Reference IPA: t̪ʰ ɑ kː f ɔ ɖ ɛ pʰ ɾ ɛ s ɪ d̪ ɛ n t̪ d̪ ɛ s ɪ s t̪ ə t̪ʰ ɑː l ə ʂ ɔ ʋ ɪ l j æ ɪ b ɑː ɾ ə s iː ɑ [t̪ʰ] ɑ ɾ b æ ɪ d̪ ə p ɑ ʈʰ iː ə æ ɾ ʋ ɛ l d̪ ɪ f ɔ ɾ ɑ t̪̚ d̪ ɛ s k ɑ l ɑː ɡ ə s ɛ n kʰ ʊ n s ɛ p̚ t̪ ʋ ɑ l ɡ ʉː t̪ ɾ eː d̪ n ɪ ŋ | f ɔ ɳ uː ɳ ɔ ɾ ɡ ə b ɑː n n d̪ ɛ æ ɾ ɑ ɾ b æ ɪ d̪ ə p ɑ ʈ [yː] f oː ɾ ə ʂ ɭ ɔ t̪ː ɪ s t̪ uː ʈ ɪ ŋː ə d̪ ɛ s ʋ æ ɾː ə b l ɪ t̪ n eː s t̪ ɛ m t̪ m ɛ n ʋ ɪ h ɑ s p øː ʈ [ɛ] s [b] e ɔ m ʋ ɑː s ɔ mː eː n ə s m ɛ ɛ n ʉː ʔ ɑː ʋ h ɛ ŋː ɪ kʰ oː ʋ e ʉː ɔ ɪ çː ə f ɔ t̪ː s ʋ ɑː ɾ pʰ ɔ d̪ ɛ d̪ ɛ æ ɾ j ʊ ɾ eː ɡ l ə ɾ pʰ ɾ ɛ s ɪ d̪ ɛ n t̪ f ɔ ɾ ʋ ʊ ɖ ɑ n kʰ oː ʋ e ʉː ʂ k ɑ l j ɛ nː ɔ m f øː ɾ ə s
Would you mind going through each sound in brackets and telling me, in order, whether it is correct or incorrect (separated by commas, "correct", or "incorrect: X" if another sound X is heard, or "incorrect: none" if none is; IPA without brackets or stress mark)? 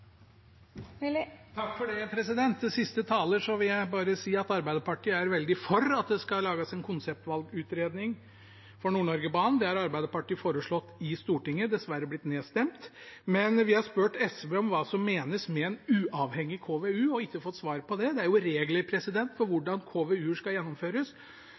incorrect: t̪, incorrect: iː, correct, correct